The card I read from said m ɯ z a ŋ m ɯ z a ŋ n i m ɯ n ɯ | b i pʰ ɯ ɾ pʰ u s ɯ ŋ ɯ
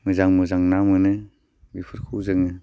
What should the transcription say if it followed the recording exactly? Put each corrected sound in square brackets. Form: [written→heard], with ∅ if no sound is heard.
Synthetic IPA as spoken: m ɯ z a ŋ m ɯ z a ŋ n [i→a] m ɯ n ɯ | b i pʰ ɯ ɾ [pʰ→kʰ] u [s→z] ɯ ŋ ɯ